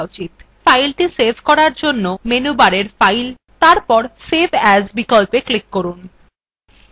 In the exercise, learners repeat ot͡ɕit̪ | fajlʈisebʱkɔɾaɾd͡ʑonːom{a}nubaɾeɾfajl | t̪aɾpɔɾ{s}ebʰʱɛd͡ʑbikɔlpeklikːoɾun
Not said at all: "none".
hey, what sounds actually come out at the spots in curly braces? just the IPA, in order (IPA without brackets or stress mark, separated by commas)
e, s